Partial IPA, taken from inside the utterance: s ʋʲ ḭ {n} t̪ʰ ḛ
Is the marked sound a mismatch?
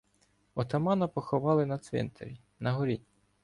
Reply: no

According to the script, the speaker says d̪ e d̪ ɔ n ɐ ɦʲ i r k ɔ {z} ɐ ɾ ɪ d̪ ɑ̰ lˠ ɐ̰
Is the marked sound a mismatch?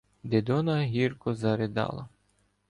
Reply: no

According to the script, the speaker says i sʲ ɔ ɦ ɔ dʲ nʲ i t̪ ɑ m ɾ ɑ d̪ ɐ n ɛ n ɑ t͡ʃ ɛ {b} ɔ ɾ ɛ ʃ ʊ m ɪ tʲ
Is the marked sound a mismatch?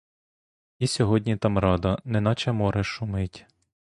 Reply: yes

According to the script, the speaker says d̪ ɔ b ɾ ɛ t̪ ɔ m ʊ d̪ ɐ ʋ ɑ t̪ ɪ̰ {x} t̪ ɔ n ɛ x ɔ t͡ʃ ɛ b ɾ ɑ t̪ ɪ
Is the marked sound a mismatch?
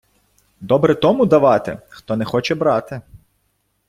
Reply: no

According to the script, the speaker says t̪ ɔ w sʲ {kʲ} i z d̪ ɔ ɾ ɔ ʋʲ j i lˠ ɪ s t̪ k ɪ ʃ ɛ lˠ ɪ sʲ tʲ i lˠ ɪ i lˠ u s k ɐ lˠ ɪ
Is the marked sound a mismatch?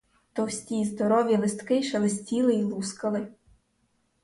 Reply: yes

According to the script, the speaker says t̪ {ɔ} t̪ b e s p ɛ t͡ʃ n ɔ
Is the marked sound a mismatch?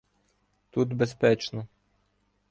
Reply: yes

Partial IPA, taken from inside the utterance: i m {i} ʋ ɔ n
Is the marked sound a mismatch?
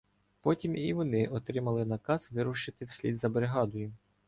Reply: no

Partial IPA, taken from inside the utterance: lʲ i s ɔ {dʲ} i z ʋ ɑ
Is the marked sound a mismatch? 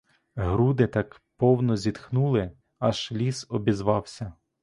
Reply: yes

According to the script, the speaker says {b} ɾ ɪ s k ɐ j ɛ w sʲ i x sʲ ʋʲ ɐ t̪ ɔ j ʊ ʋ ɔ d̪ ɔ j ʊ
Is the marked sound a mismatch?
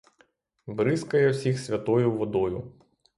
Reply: no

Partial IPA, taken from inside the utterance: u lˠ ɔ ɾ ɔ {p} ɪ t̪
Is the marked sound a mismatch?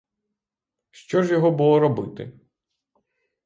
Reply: yes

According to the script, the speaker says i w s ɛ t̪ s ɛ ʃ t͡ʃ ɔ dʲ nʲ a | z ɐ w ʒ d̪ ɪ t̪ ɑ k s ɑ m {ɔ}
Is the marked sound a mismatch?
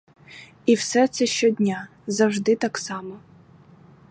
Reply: no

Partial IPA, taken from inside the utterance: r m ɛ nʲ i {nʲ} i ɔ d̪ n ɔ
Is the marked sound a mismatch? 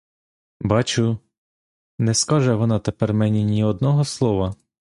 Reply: no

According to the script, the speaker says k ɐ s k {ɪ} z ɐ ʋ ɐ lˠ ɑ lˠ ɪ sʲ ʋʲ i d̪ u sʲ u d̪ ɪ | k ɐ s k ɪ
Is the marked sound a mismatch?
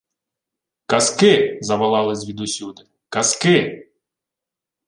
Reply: no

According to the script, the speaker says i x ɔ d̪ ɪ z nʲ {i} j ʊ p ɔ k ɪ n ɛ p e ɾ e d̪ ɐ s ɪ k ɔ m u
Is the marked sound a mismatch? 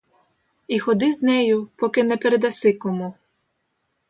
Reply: yes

